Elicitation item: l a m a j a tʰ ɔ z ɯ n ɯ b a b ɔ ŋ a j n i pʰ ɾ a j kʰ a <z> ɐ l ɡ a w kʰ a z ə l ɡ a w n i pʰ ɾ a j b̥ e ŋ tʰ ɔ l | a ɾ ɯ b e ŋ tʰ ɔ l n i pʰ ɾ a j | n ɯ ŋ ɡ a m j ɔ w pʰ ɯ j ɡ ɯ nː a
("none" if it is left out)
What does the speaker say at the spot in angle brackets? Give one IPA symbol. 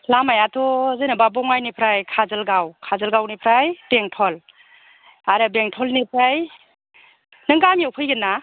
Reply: z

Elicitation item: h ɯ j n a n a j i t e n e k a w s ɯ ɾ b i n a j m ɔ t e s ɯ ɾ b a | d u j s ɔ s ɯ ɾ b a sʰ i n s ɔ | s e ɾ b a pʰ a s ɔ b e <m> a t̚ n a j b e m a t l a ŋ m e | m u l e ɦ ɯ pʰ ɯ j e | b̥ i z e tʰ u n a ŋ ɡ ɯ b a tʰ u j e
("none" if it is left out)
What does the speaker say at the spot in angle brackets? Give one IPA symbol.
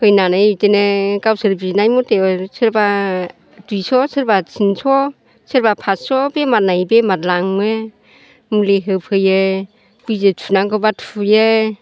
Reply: m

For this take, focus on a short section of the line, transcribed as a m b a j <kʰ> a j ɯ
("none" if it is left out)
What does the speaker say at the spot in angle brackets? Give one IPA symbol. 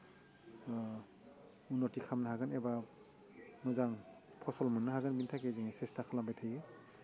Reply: tʰ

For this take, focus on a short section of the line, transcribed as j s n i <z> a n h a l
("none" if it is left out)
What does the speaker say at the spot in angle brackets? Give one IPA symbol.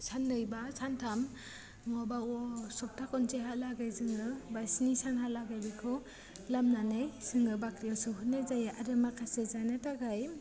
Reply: s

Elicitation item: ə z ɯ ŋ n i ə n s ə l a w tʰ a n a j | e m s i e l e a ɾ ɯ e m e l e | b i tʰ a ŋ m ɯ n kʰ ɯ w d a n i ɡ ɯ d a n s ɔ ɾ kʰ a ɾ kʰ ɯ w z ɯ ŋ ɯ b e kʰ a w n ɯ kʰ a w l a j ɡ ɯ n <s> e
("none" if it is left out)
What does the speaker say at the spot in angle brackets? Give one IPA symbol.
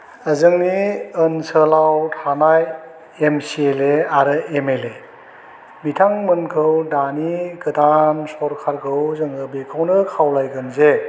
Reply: z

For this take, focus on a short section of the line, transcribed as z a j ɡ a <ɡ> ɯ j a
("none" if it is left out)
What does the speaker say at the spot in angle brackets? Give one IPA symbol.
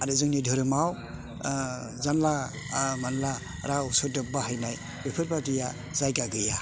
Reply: ɡ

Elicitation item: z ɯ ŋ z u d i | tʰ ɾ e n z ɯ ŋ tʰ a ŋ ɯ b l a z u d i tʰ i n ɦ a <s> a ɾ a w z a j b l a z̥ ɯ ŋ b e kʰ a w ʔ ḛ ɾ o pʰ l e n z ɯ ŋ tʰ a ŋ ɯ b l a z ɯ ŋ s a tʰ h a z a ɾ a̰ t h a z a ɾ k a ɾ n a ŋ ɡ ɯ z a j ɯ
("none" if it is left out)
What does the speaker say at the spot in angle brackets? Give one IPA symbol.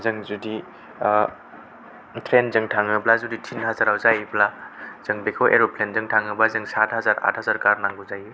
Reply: z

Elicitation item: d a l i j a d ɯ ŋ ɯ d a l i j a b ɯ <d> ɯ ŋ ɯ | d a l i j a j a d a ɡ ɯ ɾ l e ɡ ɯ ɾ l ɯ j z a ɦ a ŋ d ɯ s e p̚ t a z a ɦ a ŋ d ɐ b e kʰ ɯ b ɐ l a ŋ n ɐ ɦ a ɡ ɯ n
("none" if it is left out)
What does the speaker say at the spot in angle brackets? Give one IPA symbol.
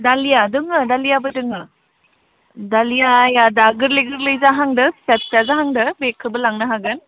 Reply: d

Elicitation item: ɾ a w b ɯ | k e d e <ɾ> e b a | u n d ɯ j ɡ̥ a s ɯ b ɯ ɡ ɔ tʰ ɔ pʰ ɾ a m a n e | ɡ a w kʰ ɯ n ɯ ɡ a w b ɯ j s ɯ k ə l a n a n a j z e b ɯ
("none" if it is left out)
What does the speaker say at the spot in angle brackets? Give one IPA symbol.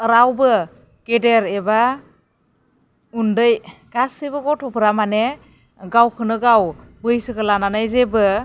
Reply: ɾ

